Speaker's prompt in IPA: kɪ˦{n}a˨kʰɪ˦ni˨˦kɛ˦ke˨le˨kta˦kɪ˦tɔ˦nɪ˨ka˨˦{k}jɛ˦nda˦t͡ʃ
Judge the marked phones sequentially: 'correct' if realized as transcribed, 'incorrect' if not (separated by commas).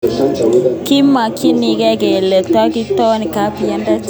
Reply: incorrect, incorrect